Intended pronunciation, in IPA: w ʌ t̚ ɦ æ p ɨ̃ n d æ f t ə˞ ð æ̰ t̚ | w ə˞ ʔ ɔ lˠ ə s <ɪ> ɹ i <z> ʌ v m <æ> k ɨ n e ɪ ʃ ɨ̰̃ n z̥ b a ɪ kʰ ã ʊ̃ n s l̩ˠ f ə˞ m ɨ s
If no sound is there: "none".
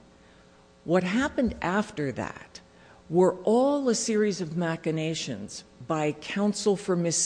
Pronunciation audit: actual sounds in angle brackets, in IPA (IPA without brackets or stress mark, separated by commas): ɪ, z, æ